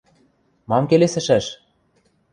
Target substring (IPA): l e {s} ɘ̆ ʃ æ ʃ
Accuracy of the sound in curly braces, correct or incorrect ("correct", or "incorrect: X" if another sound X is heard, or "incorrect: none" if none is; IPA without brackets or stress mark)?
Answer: correct